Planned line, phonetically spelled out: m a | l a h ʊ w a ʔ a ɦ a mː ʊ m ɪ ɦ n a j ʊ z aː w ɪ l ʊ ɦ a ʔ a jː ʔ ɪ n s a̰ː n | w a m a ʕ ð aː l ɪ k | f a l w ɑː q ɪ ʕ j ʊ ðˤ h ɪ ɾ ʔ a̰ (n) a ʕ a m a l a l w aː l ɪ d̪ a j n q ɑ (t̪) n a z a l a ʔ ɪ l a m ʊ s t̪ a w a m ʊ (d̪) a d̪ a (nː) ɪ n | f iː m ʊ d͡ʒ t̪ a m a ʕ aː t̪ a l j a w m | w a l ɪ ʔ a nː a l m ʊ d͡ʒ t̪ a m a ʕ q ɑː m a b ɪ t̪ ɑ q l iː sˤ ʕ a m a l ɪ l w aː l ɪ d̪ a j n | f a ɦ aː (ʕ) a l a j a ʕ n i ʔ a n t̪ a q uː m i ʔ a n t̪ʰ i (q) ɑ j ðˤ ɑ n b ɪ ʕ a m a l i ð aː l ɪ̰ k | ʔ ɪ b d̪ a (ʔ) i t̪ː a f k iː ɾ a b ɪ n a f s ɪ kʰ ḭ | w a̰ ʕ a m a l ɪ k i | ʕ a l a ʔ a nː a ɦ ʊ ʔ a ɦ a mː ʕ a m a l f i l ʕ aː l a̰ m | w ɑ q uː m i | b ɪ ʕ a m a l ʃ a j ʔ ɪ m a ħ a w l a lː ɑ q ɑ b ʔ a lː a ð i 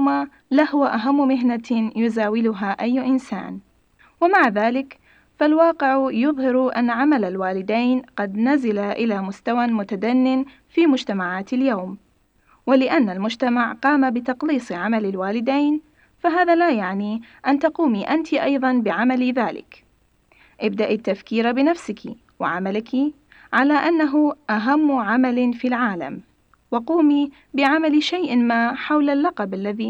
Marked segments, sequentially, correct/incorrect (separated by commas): incorrect, incorrect, incorrect, correct, incorrect, incorrect, correct